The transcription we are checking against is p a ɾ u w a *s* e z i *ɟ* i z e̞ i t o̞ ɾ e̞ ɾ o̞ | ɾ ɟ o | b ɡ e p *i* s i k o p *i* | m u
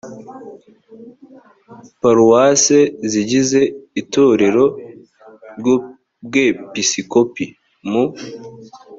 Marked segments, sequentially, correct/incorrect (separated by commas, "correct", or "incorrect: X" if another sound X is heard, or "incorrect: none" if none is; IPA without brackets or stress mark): correct, correct, correct, correct